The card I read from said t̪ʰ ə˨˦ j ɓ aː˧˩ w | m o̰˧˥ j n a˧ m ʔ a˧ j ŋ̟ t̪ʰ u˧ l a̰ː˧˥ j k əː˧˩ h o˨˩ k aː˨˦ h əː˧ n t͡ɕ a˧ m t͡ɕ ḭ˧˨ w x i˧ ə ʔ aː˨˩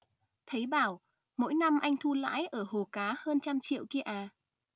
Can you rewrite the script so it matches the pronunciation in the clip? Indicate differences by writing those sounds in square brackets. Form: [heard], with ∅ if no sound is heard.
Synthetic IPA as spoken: t̪ʰ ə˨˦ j ɓ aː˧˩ w | m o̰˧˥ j n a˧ m ʔ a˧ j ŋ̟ t̪ʰ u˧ l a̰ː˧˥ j [ʔ] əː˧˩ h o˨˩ k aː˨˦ h əː˧ n t͡ɕ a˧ m t͡ɕ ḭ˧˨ w [k] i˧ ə ʔ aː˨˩